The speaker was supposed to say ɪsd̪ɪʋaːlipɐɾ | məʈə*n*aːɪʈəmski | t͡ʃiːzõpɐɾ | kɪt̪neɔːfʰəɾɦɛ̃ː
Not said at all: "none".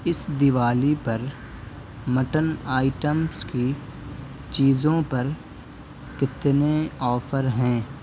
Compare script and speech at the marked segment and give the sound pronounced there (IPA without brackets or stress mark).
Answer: n